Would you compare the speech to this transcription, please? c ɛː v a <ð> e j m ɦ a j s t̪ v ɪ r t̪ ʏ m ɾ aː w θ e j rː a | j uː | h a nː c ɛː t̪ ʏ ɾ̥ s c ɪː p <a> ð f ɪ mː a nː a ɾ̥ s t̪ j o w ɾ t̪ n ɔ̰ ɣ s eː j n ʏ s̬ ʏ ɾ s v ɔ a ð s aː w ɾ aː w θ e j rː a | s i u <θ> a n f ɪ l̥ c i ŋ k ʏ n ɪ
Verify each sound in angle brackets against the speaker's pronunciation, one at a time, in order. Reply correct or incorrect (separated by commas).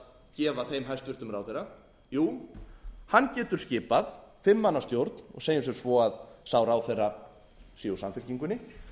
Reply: incorrect, correct, incorrect